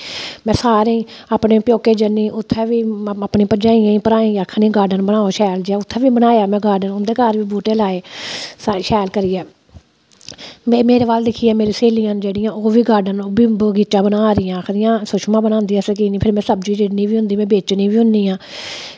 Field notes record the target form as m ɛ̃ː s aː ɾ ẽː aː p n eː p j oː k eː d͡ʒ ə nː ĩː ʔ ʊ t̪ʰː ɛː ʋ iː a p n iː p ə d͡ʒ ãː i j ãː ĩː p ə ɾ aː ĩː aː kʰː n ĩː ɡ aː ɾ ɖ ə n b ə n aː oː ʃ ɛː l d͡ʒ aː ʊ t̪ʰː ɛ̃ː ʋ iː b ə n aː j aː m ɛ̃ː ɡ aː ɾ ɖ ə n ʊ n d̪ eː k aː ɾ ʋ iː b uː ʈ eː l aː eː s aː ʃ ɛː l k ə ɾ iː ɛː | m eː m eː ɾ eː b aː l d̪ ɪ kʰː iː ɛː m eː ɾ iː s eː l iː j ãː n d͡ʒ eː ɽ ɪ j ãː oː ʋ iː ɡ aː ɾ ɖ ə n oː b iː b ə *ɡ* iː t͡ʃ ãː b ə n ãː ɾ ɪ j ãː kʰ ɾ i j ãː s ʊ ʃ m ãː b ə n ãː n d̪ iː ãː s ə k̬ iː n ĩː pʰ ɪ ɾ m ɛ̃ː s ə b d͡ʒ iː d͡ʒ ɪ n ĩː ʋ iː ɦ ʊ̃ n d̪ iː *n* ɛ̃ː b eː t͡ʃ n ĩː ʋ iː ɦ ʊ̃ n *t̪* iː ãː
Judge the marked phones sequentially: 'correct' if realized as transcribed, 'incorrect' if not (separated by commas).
correct, incorrect, incorrect